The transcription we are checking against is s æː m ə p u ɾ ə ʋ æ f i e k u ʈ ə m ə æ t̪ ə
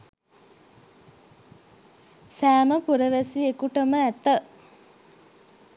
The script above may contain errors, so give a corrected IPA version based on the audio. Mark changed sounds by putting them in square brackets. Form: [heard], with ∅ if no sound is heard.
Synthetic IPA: s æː m ə p u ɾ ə ʋ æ [s] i e k u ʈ ə m ə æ t̪ ə

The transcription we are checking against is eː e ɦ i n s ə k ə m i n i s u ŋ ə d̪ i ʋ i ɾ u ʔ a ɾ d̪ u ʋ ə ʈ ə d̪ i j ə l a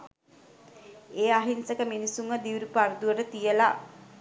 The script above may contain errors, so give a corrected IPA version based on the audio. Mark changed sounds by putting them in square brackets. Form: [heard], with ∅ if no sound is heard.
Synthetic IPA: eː [a] ɦ i n s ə k ə m i n i s u ŋ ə d̪ i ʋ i ɾ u [p] a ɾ d̪ u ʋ ə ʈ ə [t̪] i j ə l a

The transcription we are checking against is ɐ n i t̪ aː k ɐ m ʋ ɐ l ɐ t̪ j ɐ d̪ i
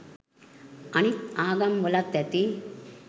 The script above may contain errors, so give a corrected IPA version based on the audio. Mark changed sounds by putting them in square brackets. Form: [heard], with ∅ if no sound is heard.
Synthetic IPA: ɐ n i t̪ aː [ɡ] ɐ m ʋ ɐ l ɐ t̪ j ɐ [t̪] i

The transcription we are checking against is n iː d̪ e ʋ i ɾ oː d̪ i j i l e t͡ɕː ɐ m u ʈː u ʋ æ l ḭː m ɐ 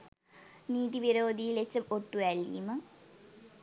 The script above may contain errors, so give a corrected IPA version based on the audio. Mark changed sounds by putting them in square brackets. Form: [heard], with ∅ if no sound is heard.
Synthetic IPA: n iː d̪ [i] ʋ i ɾ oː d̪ i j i l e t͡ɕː ɐ m [o] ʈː u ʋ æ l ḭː m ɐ

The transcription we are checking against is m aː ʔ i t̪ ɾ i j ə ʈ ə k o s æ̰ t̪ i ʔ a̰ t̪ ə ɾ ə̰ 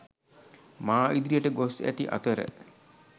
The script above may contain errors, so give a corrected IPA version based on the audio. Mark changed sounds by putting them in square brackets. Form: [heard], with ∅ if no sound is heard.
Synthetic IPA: m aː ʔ i [d̪] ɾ i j ə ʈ ə [ɡ] o s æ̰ t̪ i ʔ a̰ t̪ ə ɾ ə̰

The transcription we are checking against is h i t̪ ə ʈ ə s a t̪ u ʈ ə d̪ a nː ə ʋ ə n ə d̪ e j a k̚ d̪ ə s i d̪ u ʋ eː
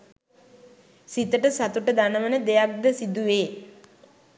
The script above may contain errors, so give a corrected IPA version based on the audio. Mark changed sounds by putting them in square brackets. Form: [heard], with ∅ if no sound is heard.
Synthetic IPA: [s] i t̪ ə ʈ ə s a t̪ u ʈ ə d̪ a [n] ə ʋ ə n ə d̪ e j a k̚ d̪ ə s i d̪ u ʋ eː

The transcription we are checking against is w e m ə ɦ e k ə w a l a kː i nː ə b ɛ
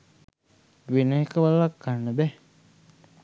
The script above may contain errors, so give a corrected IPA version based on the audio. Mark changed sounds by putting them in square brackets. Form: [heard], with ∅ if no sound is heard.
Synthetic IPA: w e [n] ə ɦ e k ə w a l a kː [a] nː ə b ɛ

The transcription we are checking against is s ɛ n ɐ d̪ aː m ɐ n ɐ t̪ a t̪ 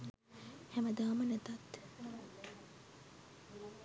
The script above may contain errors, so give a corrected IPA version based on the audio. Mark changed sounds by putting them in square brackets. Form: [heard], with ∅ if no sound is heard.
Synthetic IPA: [h] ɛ [m] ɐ d̪ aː m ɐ n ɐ t̪ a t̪

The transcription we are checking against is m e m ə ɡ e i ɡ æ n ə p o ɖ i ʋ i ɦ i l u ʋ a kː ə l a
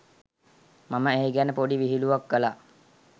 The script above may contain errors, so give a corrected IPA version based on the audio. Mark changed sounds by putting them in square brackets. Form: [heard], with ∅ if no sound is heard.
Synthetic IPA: m [a] m ə [∅] e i ɡ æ n ə p o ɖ i ʋ i ɦ i l u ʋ a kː ə l a

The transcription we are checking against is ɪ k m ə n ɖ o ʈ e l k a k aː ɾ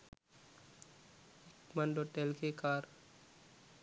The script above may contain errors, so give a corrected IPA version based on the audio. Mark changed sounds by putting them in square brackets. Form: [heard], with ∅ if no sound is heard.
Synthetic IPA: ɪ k m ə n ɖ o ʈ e l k [e] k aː ɾ

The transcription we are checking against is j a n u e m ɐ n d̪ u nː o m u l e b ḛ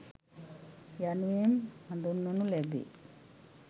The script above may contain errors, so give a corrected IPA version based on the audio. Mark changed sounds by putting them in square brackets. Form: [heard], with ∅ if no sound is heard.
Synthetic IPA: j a n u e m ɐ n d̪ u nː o [n] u l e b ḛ

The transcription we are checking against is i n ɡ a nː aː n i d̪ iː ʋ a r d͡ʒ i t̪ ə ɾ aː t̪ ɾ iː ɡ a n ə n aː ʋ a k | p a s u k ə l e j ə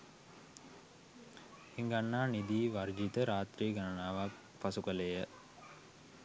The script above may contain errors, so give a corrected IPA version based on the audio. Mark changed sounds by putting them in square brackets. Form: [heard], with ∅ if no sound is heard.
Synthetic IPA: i [ŋ] ɡ a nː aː n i d̪ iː ʋ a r d͡ʒ i t̪ ə ɾ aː t̪ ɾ iː ɡ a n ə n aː ʋ a k | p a s u k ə l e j ə

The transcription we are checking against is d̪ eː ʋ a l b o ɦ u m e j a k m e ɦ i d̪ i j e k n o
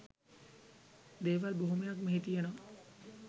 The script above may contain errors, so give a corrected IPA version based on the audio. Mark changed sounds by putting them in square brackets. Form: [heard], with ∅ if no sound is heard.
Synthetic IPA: d̪ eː ʋ a l b o ɦ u m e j a k m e ɦ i [t̪] i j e [∅] n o

